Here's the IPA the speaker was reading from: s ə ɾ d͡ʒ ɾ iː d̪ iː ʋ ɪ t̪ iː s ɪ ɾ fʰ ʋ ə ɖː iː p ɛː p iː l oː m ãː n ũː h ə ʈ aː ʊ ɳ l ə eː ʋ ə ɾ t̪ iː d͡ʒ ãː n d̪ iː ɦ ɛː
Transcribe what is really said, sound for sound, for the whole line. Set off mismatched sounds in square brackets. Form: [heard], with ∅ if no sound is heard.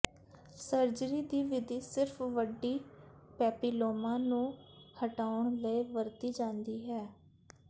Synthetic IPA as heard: s ə ɾ d͡ʒ ɾ iː d̪ iː ʋ ɪ [d̪] iː s ɪ ɾ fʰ ʋ ə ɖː iː p ɛː p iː l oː m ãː n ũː h ə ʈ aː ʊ ɳ l ə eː ʋ ə ɾ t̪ iː d͡ʒ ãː n d̪ iː ɦ ɛː